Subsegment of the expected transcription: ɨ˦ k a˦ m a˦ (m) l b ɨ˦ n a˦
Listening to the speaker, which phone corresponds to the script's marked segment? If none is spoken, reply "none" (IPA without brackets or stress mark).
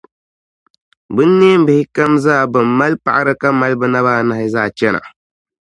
none